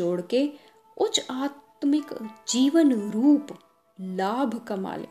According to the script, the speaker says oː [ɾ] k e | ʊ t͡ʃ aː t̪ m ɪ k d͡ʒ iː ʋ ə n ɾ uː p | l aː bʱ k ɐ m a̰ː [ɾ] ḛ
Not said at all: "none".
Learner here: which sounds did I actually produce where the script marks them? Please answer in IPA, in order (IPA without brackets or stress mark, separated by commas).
ɽ, l